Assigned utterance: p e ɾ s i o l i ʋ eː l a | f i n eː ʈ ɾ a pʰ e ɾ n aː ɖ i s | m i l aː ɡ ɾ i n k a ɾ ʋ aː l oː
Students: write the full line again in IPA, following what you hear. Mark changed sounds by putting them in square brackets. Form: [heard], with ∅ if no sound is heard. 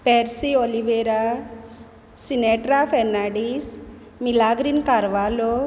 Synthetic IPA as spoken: p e ɾ s i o l i ʋ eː [ɾ] a | [s] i n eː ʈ ɾ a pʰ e ɾ n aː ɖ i s | m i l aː ɡ ɾ i n k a ɾ ʋ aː l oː